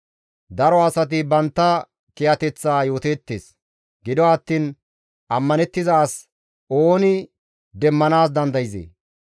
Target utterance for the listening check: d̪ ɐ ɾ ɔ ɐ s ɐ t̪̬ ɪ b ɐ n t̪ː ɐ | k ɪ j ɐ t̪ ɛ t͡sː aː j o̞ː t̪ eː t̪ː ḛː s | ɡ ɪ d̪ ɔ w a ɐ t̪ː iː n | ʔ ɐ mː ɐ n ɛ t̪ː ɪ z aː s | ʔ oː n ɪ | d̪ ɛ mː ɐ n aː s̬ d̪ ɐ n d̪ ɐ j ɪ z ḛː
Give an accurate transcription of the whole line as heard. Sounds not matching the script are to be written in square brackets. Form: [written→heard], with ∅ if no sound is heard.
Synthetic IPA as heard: d̪ ɐ ɾ ɔ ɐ s ɐ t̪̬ ɪ b ɐ n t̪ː ɐ | k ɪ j ɐ t̪ ɛ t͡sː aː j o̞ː t̪ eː t̪ː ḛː s | ɡ ɪ d̪ ɔ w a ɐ t̪ː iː n | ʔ ɐ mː ɐ n ɛ t̪ː ɪ z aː s | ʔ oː n ɪ | d̪ ɛ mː ɐ n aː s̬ d̪ ɐ n d̪ ɐ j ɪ z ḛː